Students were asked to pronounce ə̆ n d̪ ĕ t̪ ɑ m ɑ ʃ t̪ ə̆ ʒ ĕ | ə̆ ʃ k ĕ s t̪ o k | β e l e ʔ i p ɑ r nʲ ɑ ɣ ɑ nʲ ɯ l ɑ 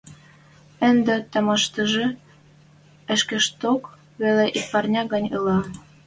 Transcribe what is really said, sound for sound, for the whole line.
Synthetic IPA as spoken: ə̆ n d̪ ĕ t̪ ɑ m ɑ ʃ t̪ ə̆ ʒ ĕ | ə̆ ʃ k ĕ ʃ t̪ o k | β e l e ʔ i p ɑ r nʲ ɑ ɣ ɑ nʲ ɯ l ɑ